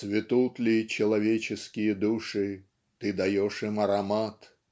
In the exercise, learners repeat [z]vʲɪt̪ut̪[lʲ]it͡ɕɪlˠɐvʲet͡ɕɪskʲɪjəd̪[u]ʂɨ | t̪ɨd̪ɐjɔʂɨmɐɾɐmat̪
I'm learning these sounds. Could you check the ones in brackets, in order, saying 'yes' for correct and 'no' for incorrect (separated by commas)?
no, yes, yes